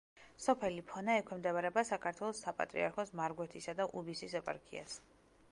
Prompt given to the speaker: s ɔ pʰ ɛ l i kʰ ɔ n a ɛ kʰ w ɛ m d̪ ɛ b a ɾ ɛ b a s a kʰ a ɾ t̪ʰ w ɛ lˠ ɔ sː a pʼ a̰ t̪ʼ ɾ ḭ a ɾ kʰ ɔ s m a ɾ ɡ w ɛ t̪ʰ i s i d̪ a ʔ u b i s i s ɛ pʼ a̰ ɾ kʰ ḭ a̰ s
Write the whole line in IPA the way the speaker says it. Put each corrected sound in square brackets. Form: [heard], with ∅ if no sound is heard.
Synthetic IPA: s ɔ pʰ ɛ l i [pʰ] ɔ n a ɛ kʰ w ɛ m d̪ ɛ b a ɾ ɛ b a s a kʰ a ɾ t̪ʰ w ɛ lˠ ɔ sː a pʼ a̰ t̪ʼ ɾ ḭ a ɾ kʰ ɔ s m a ɾ ɡ w ɛ t̪ʰ i s [a] d̪ a ʔ u b i s i s ɛ pʼ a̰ ɾ kʰ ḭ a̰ s